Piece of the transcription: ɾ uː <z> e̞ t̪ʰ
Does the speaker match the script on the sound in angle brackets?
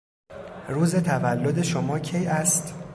yes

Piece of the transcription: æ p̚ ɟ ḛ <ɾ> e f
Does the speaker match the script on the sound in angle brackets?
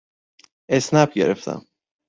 yes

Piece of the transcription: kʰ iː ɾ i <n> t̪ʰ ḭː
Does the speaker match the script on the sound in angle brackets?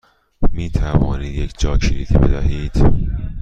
no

